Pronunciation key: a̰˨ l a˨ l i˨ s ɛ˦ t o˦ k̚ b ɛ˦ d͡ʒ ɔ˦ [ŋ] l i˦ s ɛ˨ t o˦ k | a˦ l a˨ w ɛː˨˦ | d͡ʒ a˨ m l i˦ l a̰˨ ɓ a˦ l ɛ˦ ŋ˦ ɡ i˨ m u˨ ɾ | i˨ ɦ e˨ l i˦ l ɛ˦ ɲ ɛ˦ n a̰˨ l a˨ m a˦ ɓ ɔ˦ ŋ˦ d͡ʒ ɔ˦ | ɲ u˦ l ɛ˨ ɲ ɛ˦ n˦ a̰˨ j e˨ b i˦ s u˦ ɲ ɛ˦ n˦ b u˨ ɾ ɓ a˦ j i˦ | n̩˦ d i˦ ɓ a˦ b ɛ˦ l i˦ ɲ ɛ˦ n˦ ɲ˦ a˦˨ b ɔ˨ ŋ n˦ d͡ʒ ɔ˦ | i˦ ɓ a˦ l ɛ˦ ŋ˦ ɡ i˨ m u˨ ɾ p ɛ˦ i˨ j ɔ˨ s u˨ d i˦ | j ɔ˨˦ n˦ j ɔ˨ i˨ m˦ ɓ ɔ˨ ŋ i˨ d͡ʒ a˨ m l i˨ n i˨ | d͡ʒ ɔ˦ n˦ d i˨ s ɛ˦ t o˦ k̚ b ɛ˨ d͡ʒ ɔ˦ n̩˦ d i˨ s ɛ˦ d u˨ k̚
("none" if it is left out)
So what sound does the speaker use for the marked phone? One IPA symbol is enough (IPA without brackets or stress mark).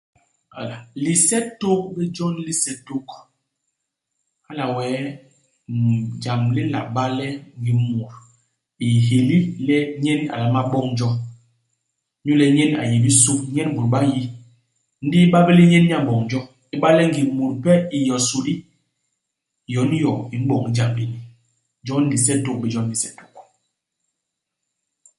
n